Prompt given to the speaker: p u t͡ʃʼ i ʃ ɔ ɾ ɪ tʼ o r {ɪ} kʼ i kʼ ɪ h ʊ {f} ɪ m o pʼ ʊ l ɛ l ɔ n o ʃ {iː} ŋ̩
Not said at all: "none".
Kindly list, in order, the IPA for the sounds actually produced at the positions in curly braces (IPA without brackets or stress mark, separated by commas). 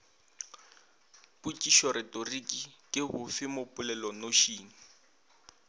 i, f, iː